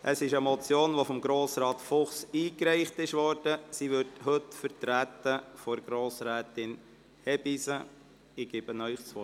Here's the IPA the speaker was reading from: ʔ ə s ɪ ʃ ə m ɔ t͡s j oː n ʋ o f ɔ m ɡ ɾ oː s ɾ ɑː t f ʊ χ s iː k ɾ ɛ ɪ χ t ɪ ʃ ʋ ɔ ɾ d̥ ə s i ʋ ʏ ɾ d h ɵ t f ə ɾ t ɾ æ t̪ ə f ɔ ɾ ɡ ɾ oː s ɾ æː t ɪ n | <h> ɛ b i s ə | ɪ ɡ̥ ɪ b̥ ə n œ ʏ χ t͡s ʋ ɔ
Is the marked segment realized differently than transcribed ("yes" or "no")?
no